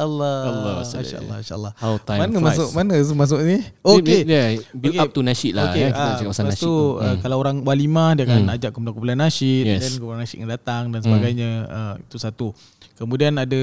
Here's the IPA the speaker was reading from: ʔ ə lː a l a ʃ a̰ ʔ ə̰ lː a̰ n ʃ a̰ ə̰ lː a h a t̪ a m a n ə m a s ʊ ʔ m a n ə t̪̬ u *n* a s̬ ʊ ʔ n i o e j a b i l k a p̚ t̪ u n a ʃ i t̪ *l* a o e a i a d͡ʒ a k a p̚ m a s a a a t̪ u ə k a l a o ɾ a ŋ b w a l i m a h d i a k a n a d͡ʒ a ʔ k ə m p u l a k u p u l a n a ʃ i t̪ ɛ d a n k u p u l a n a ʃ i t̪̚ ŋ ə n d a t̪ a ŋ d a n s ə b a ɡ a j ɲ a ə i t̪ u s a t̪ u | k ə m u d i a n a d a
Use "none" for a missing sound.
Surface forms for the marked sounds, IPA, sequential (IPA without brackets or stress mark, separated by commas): m, l